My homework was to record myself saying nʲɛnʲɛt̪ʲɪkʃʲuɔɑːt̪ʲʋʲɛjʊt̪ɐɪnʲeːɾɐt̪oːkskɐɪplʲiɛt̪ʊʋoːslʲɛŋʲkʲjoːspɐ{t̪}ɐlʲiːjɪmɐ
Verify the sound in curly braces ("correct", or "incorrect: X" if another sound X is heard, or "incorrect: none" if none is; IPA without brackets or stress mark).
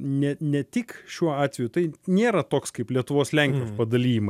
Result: incorrect: d̪